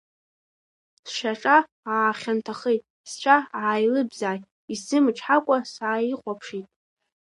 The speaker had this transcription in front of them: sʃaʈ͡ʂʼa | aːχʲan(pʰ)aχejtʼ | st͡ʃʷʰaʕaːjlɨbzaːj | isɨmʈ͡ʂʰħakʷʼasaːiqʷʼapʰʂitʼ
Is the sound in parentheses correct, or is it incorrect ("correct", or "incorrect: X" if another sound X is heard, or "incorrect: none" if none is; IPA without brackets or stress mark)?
incorrect: tʰ